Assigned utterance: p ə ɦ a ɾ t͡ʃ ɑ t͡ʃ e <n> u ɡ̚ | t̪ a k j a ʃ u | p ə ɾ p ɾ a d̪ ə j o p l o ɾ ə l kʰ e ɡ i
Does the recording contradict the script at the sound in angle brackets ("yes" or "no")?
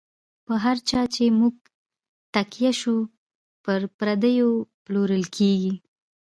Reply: yes